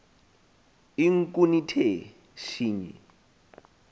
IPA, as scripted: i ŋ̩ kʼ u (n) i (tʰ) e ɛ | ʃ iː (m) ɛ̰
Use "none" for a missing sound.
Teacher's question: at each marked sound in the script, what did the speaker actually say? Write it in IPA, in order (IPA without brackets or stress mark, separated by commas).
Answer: n, tʰ, ɲ